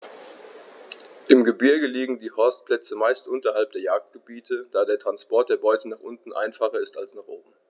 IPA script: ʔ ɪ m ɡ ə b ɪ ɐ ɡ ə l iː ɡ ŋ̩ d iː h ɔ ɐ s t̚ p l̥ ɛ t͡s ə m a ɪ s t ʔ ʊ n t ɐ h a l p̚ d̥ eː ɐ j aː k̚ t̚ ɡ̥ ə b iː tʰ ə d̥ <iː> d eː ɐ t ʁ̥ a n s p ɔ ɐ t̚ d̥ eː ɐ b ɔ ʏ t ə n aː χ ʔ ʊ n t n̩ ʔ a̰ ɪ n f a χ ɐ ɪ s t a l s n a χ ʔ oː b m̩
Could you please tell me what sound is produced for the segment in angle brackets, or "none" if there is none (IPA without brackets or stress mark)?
aː